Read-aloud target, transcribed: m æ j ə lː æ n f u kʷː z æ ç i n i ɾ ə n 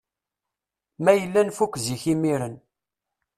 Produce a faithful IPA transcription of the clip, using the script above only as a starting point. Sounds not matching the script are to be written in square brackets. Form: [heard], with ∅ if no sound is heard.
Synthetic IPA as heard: m æ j ə lː æ n f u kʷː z [i] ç i [m] i ɾ ə n